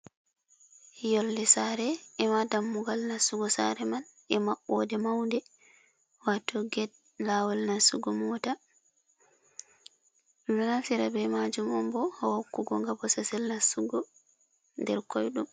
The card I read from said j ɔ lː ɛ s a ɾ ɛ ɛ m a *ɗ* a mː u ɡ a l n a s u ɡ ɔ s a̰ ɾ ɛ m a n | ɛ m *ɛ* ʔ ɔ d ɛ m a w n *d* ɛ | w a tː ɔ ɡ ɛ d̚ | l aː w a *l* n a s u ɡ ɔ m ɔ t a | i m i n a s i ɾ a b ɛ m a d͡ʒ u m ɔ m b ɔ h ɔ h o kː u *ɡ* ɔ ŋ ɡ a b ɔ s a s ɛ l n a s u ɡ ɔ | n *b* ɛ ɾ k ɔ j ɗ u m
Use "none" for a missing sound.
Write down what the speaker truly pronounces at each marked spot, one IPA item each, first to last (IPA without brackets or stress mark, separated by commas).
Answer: d, a, d, l, ɡ, d